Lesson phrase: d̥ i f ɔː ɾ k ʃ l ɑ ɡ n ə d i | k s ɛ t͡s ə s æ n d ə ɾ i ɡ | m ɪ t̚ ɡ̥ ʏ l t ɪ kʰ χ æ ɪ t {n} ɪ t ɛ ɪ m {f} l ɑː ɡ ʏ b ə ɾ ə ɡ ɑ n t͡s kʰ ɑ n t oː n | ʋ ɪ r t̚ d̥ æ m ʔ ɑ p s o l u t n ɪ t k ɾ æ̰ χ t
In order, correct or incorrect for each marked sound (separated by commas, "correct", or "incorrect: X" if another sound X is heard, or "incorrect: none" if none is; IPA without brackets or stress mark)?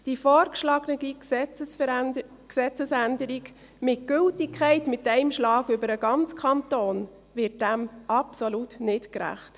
incorrect: m, incorrect: ʃ